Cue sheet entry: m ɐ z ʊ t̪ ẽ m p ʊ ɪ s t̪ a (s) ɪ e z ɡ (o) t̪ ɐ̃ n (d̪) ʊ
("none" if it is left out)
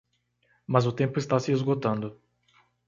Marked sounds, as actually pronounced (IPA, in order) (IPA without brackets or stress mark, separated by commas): s, o, d̪